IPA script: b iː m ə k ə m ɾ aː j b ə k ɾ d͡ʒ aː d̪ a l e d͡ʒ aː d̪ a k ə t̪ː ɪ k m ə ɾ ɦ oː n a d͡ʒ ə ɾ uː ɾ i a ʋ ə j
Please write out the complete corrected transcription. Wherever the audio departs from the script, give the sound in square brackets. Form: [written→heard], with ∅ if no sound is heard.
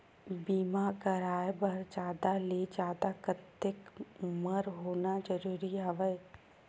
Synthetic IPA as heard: b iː m [ə→a] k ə [m→∅] ɾ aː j b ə [k→∅] ɾ d͡ʒ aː d̪ a l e d͡ʒ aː d̪ a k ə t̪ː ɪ k m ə ɾ ɦ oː n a d͡ʒ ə ɾ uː ɾ i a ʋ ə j